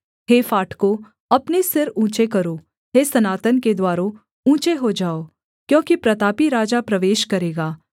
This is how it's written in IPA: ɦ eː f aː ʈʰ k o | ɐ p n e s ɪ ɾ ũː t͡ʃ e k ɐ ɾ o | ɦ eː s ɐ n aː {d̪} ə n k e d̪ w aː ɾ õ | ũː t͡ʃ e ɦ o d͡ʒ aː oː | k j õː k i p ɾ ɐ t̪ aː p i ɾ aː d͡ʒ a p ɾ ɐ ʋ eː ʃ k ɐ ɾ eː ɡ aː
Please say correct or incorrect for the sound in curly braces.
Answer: incorrect